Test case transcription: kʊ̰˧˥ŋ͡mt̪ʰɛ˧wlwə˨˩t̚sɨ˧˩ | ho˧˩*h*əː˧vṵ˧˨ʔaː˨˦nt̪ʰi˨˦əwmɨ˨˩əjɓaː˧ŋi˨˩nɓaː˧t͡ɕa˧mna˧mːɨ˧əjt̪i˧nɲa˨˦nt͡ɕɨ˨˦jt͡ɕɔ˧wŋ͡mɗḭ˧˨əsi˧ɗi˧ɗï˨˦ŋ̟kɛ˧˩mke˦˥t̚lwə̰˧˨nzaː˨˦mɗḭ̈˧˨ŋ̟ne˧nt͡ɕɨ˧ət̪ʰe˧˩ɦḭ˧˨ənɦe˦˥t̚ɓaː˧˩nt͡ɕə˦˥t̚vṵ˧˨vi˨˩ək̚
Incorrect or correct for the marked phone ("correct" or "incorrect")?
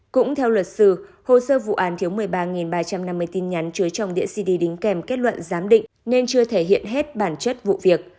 incorrect